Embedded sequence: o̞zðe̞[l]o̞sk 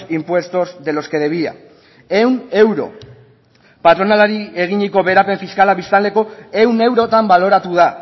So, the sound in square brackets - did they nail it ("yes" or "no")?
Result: yes